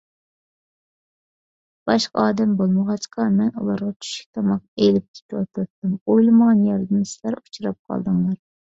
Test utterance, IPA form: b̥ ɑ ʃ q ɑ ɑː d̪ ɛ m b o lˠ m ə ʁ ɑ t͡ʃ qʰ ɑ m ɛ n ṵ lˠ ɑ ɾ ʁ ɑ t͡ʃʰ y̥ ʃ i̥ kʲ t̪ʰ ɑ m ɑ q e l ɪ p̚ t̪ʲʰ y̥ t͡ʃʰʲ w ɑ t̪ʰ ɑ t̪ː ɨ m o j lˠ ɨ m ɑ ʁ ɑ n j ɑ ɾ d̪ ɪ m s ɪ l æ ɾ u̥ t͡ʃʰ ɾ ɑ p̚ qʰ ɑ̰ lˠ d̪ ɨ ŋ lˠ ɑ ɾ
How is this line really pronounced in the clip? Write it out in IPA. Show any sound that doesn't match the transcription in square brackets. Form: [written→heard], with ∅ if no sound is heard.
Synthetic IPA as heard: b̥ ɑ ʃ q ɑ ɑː d̪ ɛ m b o lˠ m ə ʁ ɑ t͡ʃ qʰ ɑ m ɛ n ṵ lˠ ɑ ɾ ʁ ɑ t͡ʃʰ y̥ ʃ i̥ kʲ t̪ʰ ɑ m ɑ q e l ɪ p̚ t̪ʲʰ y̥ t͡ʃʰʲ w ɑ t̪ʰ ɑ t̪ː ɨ m o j lˠ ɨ m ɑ ʁ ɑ n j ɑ ɾ d̪ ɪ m s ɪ l æ ɾ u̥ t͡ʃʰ ɾ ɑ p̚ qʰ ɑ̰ lˠ d̪ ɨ ŋ lˠ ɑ ɾ